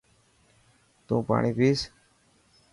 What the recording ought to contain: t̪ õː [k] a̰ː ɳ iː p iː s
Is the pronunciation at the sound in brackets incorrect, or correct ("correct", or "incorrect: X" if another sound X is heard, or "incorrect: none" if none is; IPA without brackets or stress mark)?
incorrect: p